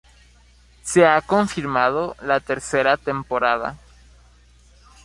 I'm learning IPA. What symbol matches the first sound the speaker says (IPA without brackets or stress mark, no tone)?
s